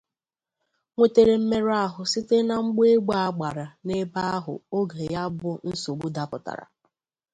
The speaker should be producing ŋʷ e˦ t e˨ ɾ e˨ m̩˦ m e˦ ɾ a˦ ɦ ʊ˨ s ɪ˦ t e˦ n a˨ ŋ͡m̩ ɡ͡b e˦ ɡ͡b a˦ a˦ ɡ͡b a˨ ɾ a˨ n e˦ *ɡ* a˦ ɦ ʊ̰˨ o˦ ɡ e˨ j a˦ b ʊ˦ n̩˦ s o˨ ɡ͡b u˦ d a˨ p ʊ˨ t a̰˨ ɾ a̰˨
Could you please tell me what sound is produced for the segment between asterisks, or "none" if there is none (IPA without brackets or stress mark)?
b